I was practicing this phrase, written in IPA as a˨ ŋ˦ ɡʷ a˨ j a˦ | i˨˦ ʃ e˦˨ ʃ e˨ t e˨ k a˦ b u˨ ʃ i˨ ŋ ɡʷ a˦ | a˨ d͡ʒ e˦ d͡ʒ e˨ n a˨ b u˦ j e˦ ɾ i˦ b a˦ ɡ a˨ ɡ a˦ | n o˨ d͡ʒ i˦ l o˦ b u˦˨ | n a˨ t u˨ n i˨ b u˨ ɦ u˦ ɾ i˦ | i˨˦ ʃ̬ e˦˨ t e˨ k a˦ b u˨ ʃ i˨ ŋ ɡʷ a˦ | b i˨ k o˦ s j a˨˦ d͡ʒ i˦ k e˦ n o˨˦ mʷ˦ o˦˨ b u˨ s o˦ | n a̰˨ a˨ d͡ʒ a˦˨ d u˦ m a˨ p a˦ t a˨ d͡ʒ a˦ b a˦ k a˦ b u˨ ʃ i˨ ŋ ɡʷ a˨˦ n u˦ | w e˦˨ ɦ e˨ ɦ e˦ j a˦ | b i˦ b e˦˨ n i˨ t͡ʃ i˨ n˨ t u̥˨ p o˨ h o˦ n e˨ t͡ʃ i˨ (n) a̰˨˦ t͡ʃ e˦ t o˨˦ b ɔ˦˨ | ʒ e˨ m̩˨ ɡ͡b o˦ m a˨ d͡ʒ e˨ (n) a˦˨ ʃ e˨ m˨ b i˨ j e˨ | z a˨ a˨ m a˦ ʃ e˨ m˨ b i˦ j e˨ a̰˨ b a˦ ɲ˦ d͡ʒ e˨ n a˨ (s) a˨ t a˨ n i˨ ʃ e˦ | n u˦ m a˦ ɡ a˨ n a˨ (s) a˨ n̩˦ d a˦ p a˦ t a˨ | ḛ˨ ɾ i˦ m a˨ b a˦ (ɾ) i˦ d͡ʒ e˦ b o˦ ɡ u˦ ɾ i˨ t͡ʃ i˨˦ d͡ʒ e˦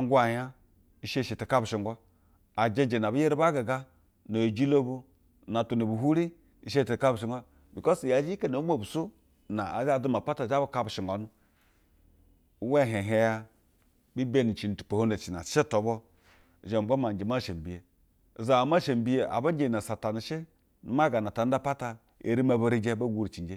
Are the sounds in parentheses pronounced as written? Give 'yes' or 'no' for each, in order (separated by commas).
yes, no, yes, no, yes